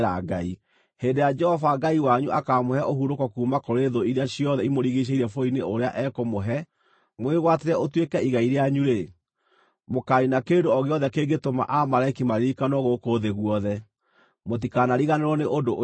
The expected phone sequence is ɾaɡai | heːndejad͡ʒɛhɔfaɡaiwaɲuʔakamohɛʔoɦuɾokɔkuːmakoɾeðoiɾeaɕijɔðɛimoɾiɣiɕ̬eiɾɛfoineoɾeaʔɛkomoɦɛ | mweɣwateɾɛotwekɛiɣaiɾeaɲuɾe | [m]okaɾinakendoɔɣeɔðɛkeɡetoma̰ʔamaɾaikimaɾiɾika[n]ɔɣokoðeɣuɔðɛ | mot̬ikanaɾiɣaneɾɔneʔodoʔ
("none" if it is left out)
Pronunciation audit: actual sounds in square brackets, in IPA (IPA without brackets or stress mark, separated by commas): m, n